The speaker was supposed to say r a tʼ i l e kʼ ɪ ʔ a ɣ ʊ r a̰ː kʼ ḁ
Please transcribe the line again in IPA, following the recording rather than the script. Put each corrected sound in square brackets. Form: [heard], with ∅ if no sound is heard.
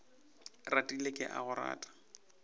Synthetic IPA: r a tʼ i l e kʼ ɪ ʔ a ɣ ʊ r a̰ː [tʼ] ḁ